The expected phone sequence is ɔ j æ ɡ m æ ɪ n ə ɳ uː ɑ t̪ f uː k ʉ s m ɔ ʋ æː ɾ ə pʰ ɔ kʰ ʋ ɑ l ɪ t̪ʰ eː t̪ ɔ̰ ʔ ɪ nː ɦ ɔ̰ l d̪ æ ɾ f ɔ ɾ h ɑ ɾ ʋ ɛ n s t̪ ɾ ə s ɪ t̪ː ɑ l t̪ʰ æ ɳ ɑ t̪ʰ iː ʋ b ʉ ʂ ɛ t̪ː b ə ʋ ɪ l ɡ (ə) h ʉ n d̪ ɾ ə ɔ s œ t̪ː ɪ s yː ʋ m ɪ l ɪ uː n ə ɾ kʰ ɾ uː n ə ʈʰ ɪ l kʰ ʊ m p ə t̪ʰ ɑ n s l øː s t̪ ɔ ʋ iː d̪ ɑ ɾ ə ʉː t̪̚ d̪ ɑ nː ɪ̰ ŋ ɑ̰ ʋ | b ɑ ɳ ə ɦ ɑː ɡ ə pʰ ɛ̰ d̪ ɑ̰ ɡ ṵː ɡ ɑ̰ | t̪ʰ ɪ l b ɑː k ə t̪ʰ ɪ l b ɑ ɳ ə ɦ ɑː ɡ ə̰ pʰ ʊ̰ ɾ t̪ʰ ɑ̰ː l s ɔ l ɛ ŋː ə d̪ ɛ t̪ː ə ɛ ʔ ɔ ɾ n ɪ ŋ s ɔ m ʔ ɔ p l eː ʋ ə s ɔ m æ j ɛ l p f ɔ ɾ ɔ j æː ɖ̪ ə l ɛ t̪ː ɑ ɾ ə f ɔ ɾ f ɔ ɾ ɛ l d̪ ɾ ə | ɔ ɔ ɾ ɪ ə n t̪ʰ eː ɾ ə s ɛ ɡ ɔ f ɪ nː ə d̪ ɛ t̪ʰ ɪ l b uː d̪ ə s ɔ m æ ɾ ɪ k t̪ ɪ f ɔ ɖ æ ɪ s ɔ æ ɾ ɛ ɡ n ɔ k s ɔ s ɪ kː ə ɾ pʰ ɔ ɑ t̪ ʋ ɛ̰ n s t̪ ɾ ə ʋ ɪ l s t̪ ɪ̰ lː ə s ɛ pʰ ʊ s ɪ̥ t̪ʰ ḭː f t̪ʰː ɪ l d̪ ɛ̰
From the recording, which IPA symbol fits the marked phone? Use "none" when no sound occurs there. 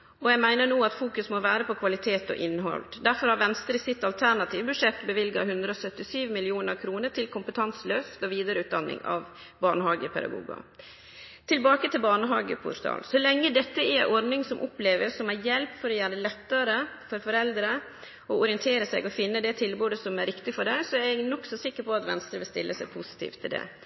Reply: ɑ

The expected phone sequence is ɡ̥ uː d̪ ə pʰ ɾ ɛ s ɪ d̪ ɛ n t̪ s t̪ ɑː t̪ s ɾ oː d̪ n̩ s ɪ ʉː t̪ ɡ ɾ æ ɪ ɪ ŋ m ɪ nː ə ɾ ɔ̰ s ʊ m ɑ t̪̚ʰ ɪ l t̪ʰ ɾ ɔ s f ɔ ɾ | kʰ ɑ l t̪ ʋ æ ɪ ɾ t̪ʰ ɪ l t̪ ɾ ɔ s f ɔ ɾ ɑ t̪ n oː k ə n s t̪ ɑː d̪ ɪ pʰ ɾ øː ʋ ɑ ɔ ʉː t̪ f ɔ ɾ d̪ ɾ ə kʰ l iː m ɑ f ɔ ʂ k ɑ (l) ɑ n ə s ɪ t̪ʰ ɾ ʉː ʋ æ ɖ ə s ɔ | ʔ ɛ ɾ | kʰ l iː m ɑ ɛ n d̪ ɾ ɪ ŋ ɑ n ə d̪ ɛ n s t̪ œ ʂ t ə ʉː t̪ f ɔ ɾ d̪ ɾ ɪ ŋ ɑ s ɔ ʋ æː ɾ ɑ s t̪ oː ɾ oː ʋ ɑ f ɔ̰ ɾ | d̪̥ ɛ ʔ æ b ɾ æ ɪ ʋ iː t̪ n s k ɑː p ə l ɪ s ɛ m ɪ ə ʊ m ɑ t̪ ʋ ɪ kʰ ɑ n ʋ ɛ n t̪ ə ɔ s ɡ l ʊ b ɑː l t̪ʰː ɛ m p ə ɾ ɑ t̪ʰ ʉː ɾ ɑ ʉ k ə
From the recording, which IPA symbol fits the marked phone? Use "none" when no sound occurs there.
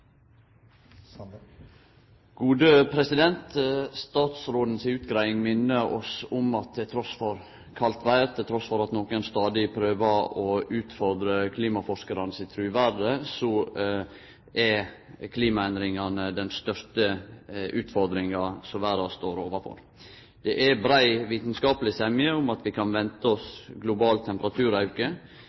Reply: ɾ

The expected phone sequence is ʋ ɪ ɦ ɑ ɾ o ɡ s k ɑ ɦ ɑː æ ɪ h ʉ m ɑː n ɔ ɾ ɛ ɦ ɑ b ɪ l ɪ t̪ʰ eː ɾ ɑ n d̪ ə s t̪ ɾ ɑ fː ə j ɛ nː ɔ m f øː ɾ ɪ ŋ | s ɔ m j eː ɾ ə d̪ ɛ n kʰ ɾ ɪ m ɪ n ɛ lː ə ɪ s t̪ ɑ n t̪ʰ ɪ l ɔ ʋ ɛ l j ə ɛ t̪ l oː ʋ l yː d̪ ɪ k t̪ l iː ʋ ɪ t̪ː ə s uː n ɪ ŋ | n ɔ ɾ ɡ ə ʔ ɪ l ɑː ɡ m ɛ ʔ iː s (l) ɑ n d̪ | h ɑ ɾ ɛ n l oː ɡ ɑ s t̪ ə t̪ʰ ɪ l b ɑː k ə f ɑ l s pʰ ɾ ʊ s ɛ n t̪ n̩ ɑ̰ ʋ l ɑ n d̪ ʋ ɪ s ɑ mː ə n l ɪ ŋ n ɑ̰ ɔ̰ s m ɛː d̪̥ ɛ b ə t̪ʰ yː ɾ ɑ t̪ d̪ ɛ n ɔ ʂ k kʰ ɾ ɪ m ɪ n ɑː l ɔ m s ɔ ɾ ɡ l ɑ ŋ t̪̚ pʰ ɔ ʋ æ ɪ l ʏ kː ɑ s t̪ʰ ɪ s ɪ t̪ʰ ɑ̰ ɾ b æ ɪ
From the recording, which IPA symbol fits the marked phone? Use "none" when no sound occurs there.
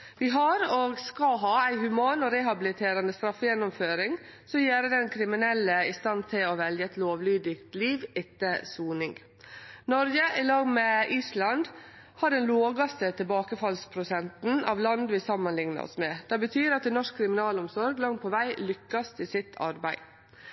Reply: l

